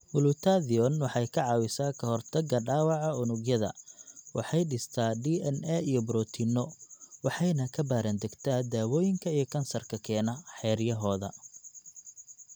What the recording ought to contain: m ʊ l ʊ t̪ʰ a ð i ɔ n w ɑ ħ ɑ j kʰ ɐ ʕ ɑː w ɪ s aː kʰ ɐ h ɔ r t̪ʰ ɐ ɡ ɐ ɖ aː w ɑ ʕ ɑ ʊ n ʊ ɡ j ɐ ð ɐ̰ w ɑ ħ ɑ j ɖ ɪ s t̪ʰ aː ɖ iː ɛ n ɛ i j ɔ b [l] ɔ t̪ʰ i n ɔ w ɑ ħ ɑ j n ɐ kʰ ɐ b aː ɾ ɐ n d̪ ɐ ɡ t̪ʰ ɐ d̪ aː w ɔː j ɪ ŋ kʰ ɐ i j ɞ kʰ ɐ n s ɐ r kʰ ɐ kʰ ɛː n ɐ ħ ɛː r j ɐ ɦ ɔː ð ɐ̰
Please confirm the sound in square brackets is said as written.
no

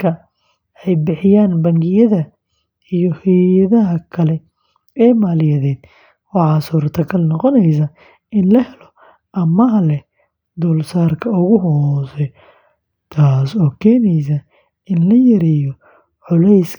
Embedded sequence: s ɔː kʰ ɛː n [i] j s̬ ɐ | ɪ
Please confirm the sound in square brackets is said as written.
no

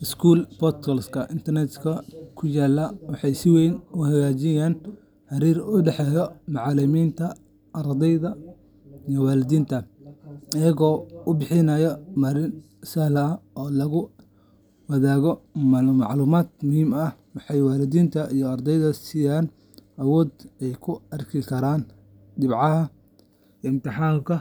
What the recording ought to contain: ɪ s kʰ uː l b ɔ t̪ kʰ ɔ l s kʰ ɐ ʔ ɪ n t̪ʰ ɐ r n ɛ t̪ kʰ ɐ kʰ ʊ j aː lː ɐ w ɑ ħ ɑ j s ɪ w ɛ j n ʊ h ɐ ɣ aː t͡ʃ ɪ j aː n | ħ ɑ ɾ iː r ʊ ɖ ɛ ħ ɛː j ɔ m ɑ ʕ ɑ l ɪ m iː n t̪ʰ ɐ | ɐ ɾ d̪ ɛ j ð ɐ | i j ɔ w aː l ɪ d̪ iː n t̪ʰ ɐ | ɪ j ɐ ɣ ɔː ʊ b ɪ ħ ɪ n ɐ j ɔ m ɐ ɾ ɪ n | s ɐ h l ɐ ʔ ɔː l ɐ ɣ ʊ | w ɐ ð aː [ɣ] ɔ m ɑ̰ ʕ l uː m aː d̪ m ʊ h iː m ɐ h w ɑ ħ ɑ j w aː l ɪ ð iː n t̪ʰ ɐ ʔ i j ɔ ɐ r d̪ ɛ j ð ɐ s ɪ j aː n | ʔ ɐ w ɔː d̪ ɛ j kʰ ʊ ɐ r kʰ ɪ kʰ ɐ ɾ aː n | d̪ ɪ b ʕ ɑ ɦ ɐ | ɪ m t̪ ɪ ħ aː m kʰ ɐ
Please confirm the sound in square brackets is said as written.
yes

